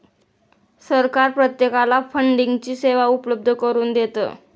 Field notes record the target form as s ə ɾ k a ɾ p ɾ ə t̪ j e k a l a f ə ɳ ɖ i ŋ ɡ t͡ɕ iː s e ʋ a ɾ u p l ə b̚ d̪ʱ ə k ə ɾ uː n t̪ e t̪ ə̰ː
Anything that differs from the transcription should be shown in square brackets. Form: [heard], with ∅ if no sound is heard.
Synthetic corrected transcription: s ə ɾ k a ɾ p ɾ ə t̪ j e k a l a f ə ɳ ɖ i ŋ ɡ t͡ɕ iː s e ʋ a [∅] u p l ə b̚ d̪ʱ ə k ə ɾ uː n [d̪] e t̪ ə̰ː